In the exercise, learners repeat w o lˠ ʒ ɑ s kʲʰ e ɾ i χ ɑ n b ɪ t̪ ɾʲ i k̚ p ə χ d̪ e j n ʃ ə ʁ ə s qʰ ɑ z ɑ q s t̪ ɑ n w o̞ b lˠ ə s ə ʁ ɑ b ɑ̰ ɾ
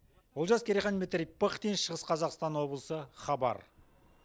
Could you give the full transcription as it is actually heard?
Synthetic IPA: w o lˠ ʒ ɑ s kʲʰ e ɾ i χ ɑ n m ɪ t̪ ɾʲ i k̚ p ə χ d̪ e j n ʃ ə ʁ ə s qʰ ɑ z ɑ q s t̪ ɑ n w o̞ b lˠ ə s ə χ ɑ b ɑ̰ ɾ